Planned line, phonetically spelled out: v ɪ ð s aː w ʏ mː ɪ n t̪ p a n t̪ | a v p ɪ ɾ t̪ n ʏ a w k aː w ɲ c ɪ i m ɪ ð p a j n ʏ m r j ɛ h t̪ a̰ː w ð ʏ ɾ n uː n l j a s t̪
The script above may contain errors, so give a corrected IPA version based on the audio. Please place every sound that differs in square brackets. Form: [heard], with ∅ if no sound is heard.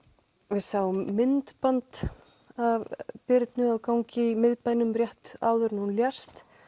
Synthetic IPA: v ɪ ð s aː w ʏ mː ɪ n t̪ p a n t̪ | a v p ɪ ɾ t̪ n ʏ a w k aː w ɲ c ɪ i m ɪ ð p a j n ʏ m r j ɛ h t̪ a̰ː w ð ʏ ɾ n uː n l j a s t̪